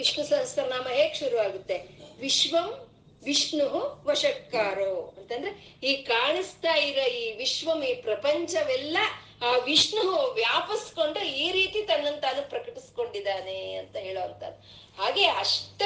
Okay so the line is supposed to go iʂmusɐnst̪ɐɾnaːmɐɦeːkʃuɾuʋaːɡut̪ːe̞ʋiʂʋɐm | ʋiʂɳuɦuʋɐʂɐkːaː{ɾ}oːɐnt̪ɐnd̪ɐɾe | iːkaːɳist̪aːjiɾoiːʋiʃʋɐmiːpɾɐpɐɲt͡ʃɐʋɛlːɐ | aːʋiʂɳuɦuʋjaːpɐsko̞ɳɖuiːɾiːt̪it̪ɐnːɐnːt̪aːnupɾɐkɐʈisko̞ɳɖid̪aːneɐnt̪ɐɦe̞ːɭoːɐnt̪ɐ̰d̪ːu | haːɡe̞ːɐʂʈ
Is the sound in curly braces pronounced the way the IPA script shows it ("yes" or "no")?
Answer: yes